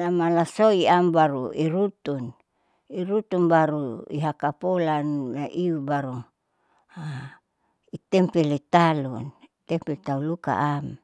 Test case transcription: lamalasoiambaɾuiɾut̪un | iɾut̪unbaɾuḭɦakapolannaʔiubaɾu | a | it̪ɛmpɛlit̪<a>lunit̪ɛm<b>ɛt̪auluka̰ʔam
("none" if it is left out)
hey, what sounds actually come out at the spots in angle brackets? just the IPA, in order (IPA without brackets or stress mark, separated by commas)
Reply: a, p